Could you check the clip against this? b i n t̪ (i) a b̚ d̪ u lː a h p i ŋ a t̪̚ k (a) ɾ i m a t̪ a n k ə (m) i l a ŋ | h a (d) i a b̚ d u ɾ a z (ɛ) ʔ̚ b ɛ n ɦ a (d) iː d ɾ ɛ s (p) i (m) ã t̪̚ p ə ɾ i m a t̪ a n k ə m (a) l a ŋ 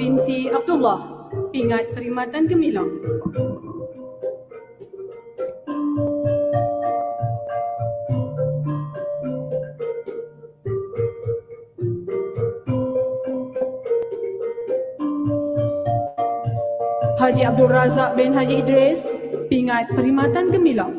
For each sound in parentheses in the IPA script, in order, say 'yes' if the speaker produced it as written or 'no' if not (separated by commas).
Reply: yes, no, yes, no, no, no, yes, no, no